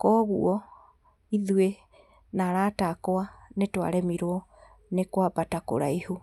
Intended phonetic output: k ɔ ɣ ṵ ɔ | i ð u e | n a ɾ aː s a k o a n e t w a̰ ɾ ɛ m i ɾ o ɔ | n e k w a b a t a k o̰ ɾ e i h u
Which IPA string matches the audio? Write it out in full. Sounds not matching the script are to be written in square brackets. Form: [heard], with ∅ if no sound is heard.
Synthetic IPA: k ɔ ɣ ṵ ɔ | i ð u e | n a ɾ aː [t] a k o a n e t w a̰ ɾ ɛ m i ɾ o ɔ | n e k w a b a t a k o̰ ɾ [a] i h u